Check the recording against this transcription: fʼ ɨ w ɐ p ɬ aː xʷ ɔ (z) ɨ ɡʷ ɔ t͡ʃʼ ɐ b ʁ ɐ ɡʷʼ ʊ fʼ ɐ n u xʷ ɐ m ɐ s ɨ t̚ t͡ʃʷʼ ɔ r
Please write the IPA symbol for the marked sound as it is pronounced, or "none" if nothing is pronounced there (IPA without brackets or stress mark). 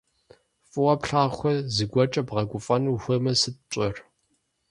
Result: z